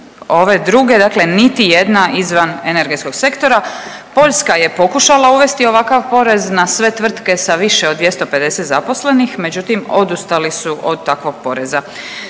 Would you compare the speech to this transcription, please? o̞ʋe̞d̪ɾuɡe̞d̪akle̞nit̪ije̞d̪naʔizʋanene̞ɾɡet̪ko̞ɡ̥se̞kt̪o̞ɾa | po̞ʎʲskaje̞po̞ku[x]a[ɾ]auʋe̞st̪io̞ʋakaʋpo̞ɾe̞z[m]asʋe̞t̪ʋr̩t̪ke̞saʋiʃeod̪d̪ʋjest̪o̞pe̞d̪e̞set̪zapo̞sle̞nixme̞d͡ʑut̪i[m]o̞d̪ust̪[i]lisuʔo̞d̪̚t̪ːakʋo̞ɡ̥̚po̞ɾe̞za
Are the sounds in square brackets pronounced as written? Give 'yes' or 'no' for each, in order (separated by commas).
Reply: no, no, no, yes, no